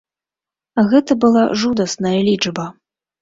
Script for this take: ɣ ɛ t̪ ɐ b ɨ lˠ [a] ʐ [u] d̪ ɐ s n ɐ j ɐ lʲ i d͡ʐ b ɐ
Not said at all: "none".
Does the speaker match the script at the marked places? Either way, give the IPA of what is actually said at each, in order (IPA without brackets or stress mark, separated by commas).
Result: a, u